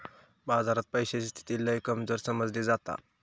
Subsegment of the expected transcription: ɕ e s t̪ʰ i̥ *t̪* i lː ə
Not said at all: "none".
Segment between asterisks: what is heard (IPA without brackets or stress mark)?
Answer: t̪